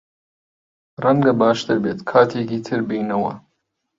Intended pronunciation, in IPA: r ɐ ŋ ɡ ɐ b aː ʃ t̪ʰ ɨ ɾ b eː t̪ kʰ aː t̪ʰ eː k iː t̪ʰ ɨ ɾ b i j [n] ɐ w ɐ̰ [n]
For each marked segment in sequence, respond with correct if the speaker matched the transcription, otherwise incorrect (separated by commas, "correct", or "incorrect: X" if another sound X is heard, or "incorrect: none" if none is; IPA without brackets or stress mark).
correct, incorrect: none